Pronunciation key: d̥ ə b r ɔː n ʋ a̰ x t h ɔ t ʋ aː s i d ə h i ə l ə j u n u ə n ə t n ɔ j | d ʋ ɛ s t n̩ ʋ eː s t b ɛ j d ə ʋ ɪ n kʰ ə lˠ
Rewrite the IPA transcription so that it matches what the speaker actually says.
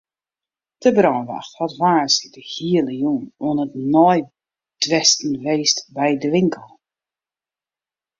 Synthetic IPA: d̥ ə b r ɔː n ʋ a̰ x t h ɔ t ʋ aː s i d ə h i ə l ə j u n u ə n ə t n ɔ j | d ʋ ɛ s t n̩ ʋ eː s t b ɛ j d ə ʋ ɪ ŋ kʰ ə lˠ